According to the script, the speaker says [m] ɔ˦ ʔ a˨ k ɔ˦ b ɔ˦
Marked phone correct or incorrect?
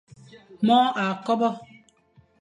correct